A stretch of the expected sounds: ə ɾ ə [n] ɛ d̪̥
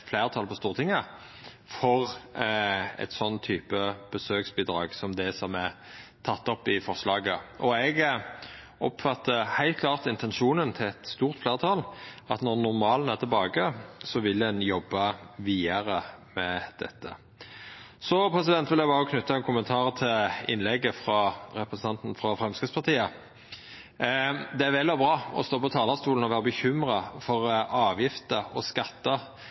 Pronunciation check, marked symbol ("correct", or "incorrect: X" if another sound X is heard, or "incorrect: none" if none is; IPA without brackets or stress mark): incorrect: m